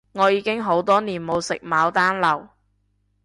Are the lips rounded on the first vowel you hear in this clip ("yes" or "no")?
yes